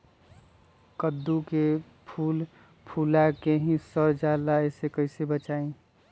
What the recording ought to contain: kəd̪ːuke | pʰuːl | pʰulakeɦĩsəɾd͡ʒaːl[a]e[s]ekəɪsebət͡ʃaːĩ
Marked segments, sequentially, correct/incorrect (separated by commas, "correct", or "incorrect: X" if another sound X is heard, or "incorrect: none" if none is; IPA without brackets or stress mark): correct, correct